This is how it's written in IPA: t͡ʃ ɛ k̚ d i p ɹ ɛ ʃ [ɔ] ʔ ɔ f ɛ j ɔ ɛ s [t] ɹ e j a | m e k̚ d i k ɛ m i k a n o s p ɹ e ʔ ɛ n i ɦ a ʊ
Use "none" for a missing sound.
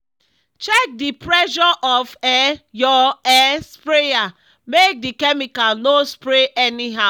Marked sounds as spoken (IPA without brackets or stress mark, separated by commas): ɔ, p